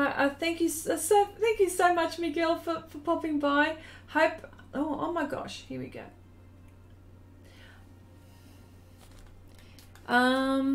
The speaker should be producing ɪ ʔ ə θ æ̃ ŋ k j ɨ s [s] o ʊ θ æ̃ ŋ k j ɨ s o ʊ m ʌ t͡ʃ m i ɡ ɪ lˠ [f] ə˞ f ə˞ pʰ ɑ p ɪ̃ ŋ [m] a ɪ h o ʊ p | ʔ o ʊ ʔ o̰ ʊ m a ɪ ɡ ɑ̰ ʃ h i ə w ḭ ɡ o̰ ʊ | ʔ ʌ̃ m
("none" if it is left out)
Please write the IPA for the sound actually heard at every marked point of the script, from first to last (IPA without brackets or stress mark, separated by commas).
s, f, b